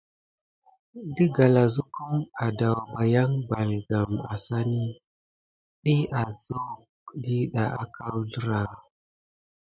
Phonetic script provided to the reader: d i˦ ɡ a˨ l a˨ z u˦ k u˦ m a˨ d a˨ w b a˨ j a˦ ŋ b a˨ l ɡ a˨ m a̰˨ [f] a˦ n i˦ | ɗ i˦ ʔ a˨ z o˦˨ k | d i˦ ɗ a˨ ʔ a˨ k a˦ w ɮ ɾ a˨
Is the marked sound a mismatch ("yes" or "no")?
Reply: yes